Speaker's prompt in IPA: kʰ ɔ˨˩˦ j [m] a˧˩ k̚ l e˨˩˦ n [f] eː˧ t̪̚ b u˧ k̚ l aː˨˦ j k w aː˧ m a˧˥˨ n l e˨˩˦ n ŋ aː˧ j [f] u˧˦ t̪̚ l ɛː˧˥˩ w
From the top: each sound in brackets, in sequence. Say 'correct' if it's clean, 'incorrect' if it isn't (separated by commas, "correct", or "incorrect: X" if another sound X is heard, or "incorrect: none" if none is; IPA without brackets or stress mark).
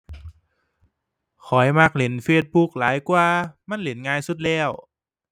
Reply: correct, correct, incorrect: s